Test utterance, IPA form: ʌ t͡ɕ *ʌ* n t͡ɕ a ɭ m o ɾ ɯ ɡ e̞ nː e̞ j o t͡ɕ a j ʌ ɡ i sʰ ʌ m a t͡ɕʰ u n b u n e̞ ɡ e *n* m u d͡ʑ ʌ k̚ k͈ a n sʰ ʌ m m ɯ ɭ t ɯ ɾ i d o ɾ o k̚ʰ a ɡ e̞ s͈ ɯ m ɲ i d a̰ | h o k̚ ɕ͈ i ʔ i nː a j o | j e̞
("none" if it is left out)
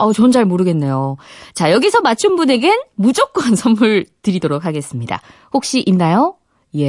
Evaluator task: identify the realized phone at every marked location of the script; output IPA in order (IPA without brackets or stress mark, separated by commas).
ʌ, n